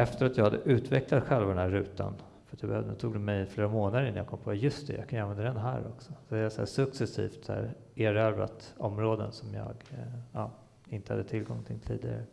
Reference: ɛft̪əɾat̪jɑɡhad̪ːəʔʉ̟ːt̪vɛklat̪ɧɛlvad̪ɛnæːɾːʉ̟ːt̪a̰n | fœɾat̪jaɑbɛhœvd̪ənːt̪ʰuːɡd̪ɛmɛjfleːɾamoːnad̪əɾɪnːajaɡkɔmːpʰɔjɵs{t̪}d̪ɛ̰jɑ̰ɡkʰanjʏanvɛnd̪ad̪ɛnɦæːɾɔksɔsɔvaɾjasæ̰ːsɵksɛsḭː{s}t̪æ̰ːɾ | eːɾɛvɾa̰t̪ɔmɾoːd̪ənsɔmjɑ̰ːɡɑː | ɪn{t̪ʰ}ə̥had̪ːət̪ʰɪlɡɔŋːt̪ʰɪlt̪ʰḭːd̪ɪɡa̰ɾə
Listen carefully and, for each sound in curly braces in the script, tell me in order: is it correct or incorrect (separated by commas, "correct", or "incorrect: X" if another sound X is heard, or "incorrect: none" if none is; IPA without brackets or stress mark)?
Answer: correct, incorrect: f, incorrect: t̪